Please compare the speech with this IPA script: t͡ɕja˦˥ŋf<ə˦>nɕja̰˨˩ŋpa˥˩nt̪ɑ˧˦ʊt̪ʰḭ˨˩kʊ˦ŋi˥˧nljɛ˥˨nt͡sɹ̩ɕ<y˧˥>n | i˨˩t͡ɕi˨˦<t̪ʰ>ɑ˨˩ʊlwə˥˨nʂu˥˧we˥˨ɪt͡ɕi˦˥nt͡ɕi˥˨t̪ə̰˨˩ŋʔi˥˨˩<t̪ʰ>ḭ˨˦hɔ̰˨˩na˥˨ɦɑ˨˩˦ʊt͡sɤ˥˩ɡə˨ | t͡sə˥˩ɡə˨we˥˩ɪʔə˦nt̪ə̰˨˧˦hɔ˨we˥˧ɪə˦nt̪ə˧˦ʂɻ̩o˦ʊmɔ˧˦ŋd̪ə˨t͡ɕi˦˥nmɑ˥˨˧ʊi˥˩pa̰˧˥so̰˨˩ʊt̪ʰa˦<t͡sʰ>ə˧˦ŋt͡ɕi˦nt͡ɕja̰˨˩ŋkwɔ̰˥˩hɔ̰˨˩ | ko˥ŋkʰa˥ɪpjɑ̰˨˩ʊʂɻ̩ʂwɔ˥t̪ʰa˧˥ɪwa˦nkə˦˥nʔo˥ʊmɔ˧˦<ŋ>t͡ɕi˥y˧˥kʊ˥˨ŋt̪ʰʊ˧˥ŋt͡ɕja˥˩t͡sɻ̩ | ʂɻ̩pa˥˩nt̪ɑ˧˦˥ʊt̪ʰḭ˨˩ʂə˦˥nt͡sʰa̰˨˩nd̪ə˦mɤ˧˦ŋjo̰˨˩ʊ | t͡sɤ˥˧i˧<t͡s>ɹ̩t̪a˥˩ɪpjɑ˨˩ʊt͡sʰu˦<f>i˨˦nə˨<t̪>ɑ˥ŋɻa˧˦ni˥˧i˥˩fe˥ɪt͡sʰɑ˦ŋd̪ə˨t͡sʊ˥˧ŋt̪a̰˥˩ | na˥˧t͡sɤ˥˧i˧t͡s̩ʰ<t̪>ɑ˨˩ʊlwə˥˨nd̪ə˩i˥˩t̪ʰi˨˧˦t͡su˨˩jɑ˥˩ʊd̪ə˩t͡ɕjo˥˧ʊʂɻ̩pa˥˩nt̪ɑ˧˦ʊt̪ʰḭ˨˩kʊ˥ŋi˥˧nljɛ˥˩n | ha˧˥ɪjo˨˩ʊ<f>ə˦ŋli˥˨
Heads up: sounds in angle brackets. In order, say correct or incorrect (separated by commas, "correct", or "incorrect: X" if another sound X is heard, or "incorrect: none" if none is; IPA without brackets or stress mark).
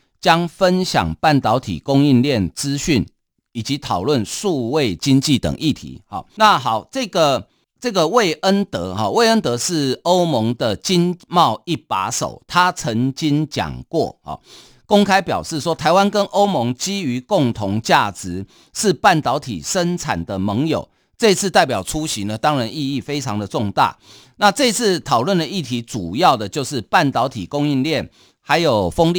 correct, incorrect: y˥˨˩, correct, correct, correct, correct, incorrect: t͡sʰ, incorrect: ɕ, correct, incorrect: t̪ʰ, correct